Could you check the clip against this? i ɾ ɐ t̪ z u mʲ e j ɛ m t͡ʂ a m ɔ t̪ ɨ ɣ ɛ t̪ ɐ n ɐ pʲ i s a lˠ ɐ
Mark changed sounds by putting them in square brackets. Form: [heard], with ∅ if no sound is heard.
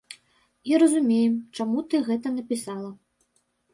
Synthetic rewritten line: i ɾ ɐ [∅] z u mʲ e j ɛ m t͡ʂ a m [u] t̪ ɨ ɣ ɛ t̪ ɐ n ɐ pʲ i s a lˠ ɐ